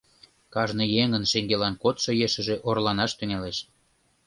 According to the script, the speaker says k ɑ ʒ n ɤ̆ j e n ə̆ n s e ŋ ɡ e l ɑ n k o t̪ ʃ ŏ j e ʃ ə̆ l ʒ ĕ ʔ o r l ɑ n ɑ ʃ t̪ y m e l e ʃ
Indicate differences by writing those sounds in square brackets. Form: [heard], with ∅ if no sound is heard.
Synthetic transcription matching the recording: k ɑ ʒ n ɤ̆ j e [ŋ] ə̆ n [ʃ] e ŋ ɡ e l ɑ n k o t̪ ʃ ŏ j e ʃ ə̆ [∅] ʒ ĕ ʔ o r l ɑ n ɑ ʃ t̪ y [ŋ] e l e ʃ

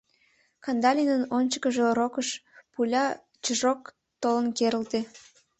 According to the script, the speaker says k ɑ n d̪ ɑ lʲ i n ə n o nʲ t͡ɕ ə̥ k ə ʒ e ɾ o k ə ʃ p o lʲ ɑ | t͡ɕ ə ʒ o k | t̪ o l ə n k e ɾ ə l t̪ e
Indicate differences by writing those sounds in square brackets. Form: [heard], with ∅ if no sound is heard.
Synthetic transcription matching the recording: k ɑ n d̪ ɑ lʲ i n ə n o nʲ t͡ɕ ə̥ k ə ʒ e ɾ o k ə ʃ p [u] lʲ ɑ | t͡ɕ ə ʒ o k | t̪ o l ə n k e ɾ ə l t̪ e

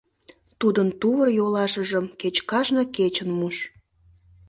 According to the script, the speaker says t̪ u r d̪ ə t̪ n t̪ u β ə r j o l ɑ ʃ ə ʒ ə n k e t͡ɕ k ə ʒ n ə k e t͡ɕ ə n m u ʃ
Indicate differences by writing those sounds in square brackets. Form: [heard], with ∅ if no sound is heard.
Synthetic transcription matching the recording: t̪ u [∅] d̪ ə [∅] n t̪ u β ə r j o l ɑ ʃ ə ʒ ə [m] k e t͡ɕ k [ɑ] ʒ n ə k e t͡ɕ ə n m u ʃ

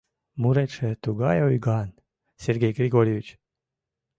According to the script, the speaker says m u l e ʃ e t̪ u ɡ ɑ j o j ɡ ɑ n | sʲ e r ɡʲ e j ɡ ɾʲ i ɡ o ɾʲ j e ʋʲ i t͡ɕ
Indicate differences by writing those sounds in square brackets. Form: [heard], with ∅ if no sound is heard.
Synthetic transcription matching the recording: m u [ɾ] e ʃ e t̪ u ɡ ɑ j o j ɡ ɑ n | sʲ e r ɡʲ e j ɡ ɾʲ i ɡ o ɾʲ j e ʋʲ i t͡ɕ

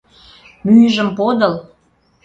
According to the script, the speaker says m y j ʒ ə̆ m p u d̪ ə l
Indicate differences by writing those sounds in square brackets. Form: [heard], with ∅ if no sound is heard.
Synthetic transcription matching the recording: m y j ʒ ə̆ m p [o] d̪ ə l

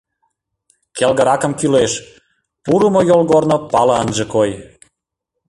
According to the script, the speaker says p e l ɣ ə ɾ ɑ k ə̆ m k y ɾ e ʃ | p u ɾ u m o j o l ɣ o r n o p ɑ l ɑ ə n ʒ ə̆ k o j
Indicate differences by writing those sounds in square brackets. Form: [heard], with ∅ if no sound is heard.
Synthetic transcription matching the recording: [k] e l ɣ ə ɾ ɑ k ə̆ m k y [l] e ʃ | p u ɾ u m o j o l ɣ o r n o p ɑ l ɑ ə n ʒ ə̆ k o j

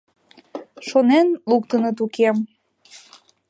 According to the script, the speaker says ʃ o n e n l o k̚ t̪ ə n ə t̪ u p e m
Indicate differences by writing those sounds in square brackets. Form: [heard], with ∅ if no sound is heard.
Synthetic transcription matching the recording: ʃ o n e n l [u] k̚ t̪ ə n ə t̪ u [k] e m

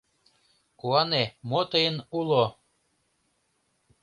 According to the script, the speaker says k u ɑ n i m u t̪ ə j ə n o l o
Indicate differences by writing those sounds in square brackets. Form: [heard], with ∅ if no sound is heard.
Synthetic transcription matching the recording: k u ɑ n [e] m [o] t̪ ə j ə n [u] l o

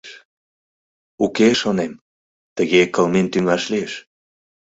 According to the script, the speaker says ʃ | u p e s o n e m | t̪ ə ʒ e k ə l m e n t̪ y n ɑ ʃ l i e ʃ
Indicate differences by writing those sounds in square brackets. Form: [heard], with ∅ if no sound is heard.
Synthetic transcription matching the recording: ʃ | u [k] e [ʃ] o n e m | t̪ ə [ɣ] e k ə l m e n t̪ y [ŋ] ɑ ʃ l i e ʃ

